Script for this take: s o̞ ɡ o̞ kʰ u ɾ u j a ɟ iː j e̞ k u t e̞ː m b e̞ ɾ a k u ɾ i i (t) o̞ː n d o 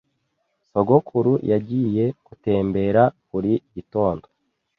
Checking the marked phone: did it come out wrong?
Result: no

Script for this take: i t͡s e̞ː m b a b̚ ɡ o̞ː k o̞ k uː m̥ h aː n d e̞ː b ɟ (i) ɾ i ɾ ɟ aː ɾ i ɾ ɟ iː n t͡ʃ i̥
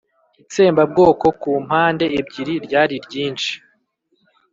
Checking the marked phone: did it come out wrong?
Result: no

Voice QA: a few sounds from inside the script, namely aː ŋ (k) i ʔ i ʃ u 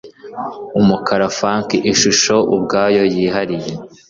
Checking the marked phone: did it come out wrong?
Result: no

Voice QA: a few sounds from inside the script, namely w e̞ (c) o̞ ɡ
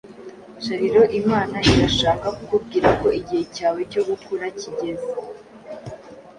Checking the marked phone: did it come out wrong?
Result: no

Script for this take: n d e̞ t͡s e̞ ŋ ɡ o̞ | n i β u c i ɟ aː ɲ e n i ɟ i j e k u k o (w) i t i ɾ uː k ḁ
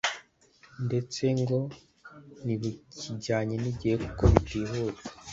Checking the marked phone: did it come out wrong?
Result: yes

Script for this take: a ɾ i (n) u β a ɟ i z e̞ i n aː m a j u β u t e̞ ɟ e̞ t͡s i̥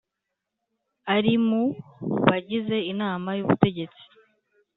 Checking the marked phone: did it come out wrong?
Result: yes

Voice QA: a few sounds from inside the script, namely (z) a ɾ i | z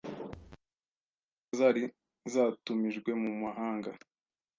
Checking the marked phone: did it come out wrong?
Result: no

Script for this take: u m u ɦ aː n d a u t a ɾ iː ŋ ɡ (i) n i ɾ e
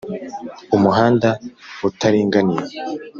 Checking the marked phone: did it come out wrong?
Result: yes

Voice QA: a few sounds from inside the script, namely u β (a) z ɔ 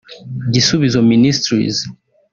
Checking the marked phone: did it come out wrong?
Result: yes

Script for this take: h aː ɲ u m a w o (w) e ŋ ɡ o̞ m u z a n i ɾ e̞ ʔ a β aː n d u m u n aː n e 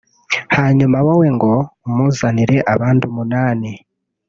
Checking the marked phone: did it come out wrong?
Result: no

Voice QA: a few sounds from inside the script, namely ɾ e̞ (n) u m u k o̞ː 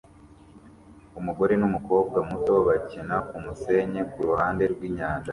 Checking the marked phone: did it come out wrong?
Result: no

